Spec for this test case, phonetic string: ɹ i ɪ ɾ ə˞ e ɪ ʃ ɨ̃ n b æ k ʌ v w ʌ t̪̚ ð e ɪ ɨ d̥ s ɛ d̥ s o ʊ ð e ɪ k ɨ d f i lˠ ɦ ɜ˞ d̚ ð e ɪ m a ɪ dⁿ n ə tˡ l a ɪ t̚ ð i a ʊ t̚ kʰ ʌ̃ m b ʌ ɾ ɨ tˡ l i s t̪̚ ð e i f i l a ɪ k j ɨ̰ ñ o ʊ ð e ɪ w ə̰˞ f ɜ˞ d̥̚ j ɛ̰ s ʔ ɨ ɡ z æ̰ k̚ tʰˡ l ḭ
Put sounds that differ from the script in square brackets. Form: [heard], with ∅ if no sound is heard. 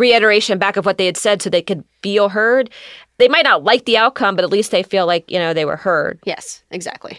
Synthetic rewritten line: ɹ i ɪ ɾ ə˞ e ɪ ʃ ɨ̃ n b æ k ʌ v w ʌ t̪̚ ð e ɪ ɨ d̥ s ɛ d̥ s o ʊ ð e ɪ k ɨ d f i lˠ ɦ ɜ˞ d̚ ð e ɪ m a ɪ [tⁿ] n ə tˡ l a ɪ [k̚] ð i a ʊ t̚ kʰ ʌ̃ m b ʌ ɾ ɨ tˡ l i s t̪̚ ð e [ɪ] f i l a ɪ k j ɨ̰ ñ o ʊ ð e ɪ w ə̰˞ [h] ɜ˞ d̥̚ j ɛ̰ s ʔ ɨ ɡ z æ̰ k̚ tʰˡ l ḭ